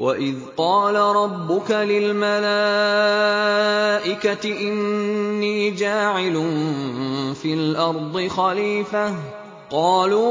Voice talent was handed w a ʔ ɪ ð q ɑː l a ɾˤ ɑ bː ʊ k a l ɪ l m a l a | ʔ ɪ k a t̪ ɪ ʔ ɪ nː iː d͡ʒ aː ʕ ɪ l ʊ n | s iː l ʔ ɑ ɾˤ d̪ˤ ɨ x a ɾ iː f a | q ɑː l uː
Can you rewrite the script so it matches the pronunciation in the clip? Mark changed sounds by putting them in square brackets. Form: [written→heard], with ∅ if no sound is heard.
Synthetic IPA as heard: w a ʔ ɪ ð q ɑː l a ɾˤ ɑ bː ʊ k a l ɪ l m a l a | ʔ ɪ k a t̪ ɪ ʔ ɪ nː iː d͡ʒ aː ʕ ɪ l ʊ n | [s→f] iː l ʔ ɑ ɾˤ d̪ˤ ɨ x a [ɾ→l] iː f a | q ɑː l uː